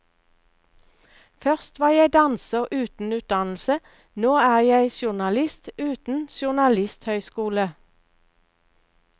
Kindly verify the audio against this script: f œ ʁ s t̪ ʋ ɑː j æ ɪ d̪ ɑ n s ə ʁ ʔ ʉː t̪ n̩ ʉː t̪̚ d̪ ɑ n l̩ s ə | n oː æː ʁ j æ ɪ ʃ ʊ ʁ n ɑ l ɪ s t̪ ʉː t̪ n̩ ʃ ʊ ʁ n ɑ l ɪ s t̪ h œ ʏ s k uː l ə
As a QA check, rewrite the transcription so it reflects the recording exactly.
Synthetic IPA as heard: f œ ʁ s t̪ ʋ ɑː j æ ɪ d̪ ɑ n s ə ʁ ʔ ʉː t̪ n̩ ʉː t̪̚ d̪ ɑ n l̩ s ə | n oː æː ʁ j æ ɪ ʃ ʊ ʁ n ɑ l ɪ s t̪ ʉː t̪ n̩ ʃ ʊ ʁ n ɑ l ɪ s t̪ h œ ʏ s k uː l ə